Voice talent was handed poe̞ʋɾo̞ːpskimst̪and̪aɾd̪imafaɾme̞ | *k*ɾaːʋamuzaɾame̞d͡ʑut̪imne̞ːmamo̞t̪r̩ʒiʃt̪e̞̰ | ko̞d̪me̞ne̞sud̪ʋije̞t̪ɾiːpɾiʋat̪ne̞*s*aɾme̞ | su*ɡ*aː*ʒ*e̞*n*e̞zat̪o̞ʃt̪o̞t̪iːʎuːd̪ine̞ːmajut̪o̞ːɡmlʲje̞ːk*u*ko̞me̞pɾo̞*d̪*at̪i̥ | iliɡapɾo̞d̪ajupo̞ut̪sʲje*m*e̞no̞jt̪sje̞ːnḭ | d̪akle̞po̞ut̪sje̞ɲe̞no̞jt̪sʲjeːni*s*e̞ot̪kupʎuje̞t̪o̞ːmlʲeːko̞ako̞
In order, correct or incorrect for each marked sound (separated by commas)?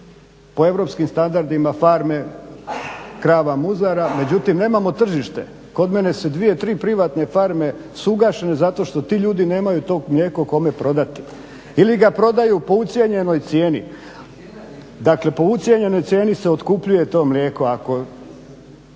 correct, incorrect, correct, incorrect, correct, incorrect, correct, incorrect, correct